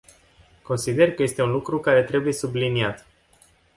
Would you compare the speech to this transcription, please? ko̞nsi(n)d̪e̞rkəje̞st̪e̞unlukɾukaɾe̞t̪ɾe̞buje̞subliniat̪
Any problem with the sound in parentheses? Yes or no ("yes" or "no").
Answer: yes